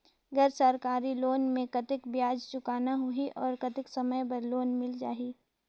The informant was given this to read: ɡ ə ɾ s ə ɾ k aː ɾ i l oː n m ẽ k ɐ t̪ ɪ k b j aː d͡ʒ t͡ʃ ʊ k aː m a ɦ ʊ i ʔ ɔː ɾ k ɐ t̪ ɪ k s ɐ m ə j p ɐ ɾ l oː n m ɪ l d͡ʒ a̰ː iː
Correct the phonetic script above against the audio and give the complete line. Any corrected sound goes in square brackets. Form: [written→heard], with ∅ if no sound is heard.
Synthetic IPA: ɡ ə ɾ s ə ɾ k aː ɾ i l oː n m ẽ k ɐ t̪ ɪ k b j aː d͡ʒ t͡ʃ ʊ k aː [m→n] a ɦ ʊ i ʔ ɔː ɾ k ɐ t̪ ɪ k s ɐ m ə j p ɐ ɾ l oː n m ɪ l d͡ʒ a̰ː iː